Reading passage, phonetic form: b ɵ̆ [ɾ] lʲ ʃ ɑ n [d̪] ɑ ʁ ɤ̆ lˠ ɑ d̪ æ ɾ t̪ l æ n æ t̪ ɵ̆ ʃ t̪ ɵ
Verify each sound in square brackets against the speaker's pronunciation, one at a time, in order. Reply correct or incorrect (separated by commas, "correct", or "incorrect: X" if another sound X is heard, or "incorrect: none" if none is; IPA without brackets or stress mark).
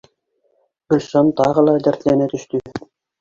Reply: incorrect: none, incorrect: t̪